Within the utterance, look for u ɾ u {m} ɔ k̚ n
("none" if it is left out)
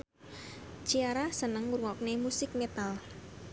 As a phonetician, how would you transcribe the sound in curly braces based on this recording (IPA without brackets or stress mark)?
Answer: ŋ